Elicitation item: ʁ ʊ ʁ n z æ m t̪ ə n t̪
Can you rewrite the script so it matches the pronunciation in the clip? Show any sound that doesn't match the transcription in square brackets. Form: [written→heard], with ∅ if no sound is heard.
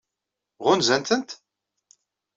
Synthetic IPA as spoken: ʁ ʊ [ʁ→∅] n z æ [m→n] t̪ ə n t̪